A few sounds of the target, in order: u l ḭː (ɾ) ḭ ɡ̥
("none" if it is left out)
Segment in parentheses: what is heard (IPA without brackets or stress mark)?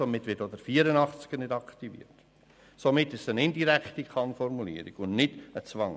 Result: ɾ